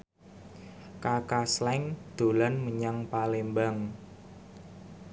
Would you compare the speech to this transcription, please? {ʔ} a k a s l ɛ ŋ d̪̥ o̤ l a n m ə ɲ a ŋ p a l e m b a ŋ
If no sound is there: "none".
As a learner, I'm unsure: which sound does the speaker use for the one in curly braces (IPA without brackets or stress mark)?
k